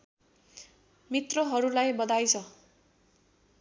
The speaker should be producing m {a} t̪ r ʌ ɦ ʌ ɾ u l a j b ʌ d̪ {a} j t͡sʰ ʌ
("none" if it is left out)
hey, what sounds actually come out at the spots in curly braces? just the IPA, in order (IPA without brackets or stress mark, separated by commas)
i, a